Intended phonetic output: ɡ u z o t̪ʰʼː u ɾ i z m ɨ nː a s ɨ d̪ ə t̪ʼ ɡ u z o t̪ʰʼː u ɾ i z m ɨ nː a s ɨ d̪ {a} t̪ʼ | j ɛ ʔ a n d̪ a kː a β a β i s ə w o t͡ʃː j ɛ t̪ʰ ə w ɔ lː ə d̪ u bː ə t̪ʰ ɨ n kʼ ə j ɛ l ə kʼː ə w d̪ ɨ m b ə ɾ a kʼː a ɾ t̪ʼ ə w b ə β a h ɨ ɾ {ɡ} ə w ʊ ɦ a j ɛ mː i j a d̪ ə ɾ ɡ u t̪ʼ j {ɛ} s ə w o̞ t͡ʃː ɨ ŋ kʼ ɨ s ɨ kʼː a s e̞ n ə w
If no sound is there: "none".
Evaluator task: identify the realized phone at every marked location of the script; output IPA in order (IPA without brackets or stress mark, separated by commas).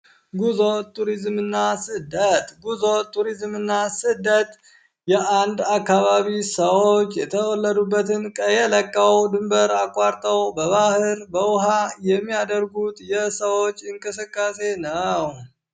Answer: ə, b, ɛ